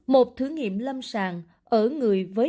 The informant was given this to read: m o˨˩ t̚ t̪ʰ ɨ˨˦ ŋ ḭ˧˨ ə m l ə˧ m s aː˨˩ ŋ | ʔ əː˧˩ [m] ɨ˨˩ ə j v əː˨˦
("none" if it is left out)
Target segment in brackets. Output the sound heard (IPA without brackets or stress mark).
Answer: ŋ